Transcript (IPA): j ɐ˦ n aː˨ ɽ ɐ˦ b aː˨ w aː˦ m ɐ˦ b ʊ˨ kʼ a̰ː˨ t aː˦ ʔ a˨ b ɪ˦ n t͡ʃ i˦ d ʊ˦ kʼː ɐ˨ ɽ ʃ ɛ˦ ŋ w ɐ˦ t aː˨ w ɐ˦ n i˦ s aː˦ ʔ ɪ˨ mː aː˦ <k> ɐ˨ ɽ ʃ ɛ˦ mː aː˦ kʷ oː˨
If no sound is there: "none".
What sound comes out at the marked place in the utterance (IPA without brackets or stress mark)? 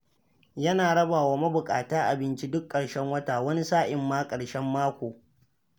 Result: kʼ